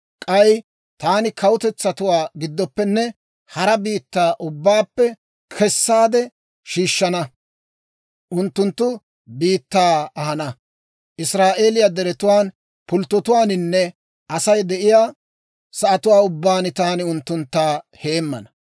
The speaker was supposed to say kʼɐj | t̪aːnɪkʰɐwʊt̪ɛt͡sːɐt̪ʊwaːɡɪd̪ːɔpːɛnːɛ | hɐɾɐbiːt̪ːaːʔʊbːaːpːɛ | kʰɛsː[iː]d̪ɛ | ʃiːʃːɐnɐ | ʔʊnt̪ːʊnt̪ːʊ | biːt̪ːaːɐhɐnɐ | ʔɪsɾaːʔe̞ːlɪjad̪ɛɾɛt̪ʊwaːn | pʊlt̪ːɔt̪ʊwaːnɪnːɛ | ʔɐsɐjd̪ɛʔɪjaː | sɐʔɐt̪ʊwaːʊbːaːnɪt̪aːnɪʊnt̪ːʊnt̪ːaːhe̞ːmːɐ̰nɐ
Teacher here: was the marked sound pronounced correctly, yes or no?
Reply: no